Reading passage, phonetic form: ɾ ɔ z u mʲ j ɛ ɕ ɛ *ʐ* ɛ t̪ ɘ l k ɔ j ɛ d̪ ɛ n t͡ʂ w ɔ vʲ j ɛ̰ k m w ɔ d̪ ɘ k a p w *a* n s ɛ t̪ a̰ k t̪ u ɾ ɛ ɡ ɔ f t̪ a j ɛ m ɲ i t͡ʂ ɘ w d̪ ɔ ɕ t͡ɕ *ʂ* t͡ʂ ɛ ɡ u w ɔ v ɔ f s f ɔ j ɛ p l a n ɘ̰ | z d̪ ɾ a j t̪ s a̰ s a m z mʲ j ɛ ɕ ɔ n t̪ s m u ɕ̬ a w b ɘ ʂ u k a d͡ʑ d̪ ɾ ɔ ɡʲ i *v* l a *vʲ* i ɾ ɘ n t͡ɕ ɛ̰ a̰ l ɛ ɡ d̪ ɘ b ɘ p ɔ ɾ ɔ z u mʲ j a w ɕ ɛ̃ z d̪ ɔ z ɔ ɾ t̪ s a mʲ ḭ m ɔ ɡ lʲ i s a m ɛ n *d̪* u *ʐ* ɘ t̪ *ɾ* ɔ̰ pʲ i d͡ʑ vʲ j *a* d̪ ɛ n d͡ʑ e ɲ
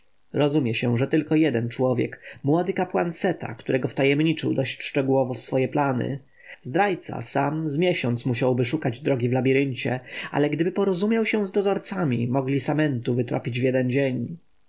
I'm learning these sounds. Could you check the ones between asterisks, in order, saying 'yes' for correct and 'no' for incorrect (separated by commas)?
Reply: yes, yes, yes, yes, no, no, no, yes, no